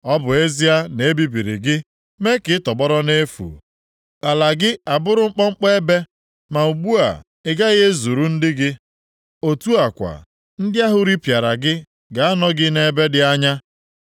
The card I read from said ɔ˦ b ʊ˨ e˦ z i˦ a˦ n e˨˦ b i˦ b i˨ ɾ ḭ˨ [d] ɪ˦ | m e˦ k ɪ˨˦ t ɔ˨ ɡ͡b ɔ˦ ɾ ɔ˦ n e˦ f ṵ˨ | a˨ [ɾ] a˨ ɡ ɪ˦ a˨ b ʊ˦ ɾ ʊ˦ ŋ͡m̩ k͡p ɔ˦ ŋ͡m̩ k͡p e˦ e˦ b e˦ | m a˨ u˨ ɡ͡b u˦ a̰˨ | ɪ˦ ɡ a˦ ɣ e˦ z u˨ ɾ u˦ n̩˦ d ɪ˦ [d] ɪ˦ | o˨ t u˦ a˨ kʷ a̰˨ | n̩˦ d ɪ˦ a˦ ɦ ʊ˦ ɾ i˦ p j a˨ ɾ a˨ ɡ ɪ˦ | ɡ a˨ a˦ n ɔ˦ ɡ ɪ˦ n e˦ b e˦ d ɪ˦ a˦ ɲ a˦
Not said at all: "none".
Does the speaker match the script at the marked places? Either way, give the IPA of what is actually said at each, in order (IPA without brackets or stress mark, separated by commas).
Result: ɡ, l, ɡ